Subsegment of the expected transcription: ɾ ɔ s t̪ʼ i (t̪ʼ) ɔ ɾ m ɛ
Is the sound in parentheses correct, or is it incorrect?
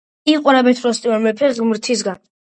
incorrect